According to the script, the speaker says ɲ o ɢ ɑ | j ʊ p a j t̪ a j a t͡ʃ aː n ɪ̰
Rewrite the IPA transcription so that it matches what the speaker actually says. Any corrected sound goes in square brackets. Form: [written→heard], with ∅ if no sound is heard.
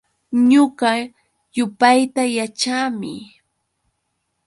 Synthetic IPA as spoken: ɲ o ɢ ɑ | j ʊ p a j t̪ a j a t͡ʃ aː [n→m] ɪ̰